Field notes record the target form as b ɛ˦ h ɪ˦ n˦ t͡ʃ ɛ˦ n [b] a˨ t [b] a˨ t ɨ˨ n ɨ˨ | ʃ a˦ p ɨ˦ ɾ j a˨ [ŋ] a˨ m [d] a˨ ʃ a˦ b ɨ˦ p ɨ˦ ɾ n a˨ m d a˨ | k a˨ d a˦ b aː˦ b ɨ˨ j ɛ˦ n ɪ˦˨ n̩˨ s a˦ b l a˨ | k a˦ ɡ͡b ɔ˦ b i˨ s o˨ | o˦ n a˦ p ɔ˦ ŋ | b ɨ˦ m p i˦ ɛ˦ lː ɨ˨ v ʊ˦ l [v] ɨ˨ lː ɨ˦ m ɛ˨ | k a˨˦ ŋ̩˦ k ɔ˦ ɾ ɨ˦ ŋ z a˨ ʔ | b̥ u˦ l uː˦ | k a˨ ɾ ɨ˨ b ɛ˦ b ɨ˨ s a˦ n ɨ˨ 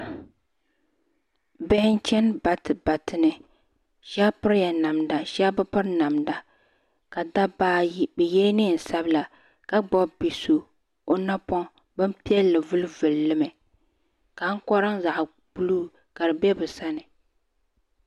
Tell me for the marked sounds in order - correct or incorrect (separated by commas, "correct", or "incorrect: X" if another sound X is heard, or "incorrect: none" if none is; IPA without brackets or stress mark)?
correct, correct, incorrect: n, correct, correct